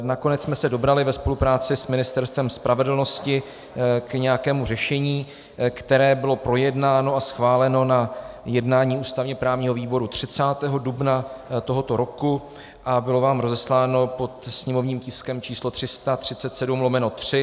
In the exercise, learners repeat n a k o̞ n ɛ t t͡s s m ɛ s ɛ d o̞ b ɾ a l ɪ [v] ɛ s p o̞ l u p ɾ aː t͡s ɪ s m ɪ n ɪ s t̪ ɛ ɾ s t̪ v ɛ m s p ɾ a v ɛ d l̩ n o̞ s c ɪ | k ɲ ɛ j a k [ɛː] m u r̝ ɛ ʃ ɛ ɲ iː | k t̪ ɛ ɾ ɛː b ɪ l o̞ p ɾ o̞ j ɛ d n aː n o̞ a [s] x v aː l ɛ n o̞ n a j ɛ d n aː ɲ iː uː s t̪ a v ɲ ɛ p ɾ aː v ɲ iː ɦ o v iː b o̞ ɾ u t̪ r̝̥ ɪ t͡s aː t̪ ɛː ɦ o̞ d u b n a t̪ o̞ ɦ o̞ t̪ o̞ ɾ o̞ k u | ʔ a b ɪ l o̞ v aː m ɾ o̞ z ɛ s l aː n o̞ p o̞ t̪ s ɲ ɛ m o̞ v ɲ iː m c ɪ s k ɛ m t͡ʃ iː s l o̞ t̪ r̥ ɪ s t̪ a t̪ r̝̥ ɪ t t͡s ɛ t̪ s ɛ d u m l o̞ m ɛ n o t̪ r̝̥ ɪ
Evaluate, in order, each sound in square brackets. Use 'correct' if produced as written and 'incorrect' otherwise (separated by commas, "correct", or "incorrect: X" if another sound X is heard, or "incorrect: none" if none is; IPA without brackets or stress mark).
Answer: correct, correct, correct